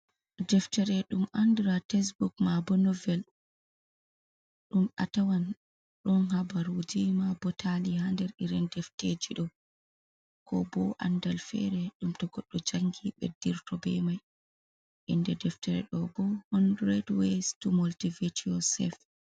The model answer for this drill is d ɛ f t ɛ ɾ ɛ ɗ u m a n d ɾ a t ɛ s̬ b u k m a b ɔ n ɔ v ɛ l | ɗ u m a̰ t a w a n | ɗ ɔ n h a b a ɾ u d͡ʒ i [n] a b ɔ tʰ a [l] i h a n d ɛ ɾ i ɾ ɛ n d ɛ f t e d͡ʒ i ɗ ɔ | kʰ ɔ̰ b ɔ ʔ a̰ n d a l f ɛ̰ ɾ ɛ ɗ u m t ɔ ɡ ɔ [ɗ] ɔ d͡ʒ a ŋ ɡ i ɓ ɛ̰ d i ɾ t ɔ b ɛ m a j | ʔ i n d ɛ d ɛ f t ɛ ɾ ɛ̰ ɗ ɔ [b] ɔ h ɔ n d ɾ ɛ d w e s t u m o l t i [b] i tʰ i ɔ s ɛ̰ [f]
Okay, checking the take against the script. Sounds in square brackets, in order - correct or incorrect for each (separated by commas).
incorrect, correct, incorrect, correct, incorrect, correct